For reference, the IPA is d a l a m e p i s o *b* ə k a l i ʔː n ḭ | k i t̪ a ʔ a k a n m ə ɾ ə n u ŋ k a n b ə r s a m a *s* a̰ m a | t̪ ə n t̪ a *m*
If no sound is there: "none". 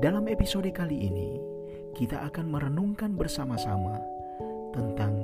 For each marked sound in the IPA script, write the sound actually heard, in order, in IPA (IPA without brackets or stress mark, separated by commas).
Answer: d, s, ŋ